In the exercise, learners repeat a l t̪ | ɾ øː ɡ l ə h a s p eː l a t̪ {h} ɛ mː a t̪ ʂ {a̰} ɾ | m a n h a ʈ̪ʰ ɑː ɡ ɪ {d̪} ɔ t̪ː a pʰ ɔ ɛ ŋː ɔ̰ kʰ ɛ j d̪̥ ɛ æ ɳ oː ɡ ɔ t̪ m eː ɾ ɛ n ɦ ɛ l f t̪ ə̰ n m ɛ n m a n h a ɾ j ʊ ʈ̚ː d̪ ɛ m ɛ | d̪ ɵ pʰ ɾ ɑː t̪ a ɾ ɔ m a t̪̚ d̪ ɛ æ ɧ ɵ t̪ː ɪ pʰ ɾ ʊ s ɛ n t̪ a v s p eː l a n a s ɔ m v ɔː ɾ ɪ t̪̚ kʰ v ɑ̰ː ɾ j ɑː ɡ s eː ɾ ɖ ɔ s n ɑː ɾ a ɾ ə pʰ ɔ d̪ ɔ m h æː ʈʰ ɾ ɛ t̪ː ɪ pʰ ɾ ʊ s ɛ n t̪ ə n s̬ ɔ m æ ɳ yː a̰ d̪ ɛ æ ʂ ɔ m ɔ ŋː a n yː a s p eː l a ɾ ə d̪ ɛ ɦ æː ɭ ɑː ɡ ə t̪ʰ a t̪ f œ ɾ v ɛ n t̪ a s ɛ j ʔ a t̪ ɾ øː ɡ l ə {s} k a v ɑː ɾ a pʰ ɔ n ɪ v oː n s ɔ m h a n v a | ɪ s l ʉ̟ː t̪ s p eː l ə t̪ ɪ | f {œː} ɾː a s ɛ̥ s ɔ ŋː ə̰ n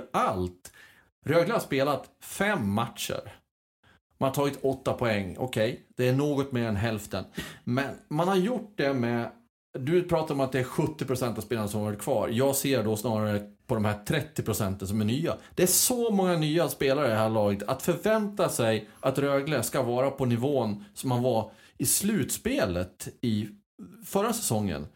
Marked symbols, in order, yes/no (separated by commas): no, no, no, yes, no